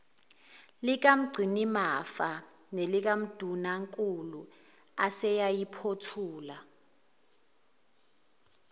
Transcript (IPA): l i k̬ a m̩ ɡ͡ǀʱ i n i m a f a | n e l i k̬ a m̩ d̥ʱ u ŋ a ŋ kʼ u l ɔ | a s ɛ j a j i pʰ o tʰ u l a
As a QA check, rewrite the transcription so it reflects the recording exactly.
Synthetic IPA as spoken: l i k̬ a m̩ ɡ͡ǀʱ i n i m a f a | n e l i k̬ a m̩ d̥ʱ u n a ŋ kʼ u l u | a s ɛ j a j i pʰ o tʰ uː l a